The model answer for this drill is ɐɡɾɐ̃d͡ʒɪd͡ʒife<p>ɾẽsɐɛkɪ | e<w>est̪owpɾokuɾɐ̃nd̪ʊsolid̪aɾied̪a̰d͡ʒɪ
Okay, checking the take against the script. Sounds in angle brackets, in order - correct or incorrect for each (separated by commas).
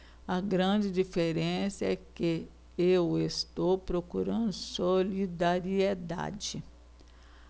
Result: incorrect, correct